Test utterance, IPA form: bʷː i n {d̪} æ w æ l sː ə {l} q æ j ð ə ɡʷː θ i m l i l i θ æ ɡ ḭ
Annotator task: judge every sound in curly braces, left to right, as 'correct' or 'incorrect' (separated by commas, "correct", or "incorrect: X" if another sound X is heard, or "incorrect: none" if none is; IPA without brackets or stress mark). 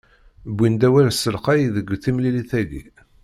correct, correct